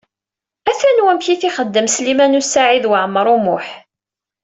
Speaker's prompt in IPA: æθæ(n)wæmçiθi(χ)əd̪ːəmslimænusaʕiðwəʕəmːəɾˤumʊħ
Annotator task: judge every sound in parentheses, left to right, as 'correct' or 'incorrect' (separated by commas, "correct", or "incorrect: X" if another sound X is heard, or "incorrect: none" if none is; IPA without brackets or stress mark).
correct, correct